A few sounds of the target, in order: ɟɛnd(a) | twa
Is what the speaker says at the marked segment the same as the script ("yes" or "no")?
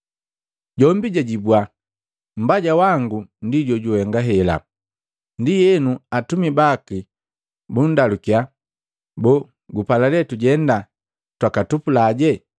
yes